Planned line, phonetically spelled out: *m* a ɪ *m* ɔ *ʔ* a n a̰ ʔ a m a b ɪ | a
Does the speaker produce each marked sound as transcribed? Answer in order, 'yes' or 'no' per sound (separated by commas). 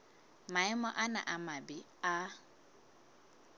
yes, yes, yes